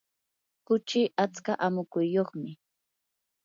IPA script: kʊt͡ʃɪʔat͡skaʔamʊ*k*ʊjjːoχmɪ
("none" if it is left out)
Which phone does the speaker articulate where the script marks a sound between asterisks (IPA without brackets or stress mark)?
k